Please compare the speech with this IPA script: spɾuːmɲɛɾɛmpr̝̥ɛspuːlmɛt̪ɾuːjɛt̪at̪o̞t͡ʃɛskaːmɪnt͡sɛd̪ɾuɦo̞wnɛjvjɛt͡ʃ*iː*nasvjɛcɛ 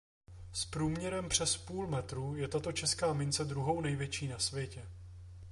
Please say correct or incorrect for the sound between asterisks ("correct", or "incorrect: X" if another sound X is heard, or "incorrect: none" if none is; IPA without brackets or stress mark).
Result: correct